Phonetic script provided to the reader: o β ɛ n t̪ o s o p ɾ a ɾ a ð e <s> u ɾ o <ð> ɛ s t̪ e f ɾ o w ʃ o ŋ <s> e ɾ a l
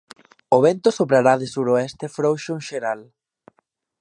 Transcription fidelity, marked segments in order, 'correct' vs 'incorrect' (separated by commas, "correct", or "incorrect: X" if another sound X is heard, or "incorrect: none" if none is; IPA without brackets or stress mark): correct, incorrect: none, incorrect: ʃ